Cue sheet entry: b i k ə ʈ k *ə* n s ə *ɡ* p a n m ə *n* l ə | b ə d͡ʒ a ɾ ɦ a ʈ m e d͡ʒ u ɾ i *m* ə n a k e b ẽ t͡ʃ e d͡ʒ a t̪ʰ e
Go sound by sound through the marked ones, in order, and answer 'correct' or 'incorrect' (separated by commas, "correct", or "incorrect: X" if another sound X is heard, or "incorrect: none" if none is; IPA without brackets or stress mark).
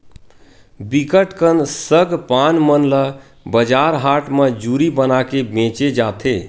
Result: correct, correct, correct, incorrect: b